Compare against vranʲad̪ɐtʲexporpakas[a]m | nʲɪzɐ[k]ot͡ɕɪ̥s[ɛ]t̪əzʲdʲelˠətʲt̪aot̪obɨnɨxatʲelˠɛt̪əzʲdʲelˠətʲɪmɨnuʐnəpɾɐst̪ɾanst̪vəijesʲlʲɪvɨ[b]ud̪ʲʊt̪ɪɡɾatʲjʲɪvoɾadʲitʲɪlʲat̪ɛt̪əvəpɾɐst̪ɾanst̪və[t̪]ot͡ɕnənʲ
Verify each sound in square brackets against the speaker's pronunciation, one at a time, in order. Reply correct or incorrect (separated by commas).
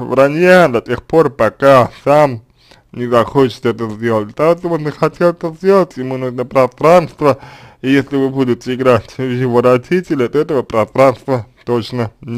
correct, incorrect, correct, correct, correct